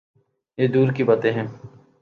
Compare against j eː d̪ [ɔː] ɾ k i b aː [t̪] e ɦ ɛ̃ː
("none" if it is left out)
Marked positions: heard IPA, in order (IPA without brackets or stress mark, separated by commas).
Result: uː, t̪